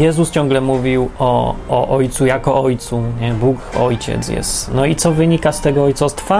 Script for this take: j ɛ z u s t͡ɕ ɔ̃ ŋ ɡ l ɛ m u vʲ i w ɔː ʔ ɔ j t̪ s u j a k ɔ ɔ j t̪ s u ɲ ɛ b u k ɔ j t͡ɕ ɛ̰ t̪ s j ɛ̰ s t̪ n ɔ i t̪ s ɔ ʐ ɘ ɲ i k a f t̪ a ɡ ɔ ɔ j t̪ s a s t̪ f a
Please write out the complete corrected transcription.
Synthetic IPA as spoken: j ɛ z u s t͡ɕ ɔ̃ ŋ ɡ l ɛ m u vʲ i w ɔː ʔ ɔ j t̪ s u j a k ɔ ɔ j t̪ s u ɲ ɛ b u k ɔ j t͡ɕ ɛ̰ t̪ s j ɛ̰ s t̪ n ɔ i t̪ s ɔ v ɘ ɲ i k a s t̪ ɛ ɡ ɔ ɔ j t̪ s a s t̪ f a